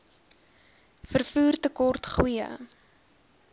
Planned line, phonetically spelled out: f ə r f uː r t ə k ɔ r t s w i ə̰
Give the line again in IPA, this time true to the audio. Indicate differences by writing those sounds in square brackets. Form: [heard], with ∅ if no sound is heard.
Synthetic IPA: f ə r f uː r t ə k ɔ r t [χ] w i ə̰

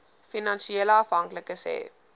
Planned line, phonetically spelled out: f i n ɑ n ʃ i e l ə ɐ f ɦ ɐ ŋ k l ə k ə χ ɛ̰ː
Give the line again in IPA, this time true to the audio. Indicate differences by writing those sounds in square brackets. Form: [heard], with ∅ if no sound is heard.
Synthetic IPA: f i n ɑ n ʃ i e l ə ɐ f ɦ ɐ ŋ k l ə k ə [s] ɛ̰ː

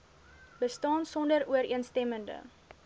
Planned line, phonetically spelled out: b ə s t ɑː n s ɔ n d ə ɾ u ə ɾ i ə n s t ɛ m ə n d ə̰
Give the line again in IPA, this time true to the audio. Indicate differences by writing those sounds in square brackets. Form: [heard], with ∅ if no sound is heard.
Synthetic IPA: b ə s t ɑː n s ɔ n d ə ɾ u ə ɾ i ə n s t ɛ m ə n d ə̰

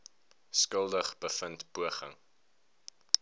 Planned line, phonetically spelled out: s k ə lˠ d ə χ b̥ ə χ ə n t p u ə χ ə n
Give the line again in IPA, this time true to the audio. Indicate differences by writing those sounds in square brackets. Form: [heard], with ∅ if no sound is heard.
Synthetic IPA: s k ə lˠ d ə χ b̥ ə [f] ə n t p u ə χ ə [ŋ]

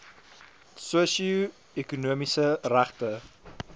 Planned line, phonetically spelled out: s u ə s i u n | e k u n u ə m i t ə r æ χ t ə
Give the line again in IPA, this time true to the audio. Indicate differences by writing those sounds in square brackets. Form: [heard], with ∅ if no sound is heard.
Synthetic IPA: s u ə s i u [∅] | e k u n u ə m i [s] ə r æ χ t ə

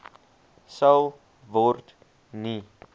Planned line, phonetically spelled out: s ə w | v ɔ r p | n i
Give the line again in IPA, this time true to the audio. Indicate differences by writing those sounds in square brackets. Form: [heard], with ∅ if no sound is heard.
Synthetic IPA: s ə w | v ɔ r [t] | n i

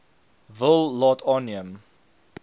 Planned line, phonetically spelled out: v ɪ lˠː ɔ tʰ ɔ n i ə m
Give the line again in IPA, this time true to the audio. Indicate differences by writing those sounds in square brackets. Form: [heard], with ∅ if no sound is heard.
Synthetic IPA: v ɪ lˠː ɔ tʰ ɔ n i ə m

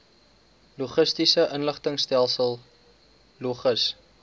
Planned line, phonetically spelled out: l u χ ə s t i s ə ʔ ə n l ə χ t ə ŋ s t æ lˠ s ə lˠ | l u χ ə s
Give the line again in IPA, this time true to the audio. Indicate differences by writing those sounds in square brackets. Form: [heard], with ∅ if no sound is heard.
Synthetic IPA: l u χ ə s t i s ə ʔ ə n l ə χ t ə ŋ s t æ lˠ s ə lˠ | l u χ ə s

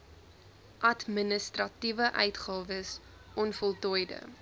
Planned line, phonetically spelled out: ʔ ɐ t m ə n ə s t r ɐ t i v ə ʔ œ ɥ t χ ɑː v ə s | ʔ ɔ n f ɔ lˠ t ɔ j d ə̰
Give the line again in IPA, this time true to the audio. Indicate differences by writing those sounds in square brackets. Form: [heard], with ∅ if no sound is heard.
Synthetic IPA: ʔ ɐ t m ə n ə s t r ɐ t i v ə ʔ œ ɥ t χ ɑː v ə s | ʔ ɔ n f ɔ lˠ t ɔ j d ə̰

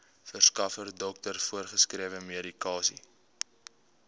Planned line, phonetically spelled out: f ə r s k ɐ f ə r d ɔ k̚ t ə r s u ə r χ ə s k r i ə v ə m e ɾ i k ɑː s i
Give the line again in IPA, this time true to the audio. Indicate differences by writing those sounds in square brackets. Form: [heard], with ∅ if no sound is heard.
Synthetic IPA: f ə r s k ɐ f ə r d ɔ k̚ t ə r [f] u ə r χ ə s k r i ə v ə m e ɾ i k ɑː s i

